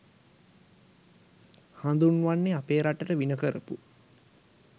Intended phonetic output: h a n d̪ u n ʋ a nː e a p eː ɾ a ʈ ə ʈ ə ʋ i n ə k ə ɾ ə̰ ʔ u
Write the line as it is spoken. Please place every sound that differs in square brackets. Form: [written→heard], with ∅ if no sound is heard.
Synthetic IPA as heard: h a n d̪ u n ʋ a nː e a p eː ɾ a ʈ ə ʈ ə ʋ i n ə k ə ɾ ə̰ [ʔ→p] u